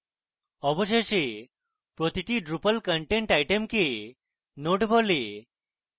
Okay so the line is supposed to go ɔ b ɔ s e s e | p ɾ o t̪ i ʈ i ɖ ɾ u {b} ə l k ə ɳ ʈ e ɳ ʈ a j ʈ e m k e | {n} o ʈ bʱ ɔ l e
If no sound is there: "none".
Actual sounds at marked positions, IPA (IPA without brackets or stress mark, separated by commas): p, n